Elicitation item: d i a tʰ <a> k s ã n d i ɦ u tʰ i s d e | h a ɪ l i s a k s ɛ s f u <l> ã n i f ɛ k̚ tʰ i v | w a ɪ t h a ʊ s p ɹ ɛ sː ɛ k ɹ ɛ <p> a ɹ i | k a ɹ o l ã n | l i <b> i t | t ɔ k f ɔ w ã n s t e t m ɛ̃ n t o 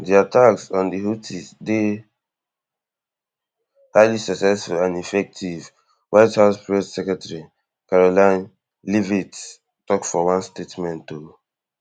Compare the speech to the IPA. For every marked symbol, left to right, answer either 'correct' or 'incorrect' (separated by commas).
correct, correct, incorrect, incorrect